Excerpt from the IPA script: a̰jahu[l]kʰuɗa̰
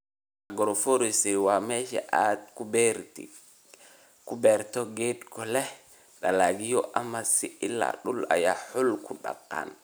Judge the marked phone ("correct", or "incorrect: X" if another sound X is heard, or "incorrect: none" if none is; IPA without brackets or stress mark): correct